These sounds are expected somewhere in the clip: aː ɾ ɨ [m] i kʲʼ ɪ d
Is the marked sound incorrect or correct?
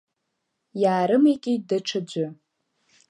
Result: correct